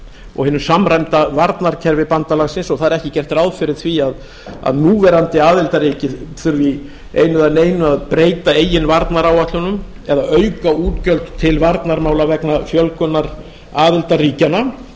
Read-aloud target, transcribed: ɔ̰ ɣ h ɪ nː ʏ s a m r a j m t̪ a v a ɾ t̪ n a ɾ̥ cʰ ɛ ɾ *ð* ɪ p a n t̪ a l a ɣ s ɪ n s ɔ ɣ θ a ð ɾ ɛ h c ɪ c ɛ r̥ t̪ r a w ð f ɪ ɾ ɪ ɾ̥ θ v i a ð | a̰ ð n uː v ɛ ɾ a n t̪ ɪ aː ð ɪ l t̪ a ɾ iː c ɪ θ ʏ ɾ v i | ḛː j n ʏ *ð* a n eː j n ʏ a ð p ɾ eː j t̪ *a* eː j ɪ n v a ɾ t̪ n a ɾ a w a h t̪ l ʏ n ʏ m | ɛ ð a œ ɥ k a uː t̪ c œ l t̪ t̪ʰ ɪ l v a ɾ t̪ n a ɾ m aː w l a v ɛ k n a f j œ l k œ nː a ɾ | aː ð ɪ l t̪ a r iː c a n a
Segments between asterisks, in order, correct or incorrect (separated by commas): incorrect, correct, correct